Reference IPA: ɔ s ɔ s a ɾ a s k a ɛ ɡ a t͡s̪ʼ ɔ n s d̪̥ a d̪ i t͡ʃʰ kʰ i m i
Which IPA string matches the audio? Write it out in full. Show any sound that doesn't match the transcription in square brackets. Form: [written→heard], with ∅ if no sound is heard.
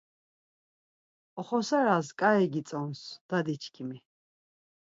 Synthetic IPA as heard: ɔ [s→χ] ɔ s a ɾ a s [k→kʼ] a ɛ ɡ [a→i] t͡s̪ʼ ɔ n s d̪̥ a d̪ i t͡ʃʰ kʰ i m i